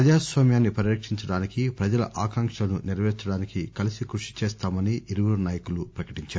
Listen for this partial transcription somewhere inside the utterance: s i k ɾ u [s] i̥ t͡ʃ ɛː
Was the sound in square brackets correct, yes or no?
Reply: no